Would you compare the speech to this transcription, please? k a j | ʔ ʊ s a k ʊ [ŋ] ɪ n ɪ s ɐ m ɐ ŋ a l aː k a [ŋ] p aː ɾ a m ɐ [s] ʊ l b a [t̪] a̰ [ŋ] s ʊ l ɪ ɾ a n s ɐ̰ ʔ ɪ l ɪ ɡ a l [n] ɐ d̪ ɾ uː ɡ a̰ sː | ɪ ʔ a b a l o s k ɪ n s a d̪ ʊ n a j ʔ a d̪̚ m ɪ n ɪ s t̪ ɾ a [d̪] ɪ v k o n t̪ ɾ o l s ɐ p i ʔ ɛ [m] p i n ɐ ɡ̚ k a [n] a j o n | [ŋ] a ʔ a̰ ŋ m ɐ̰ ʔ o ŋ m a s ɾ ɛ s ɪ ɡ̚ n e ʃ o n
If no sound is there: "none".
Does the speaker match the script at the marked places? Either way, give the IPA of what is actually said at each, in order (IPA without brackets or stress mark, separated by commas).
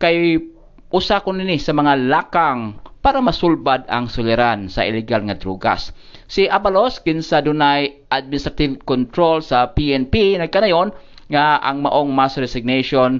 n, ŋ, s, d̪, ŋ, ŋ, t̪, n, n, ŋ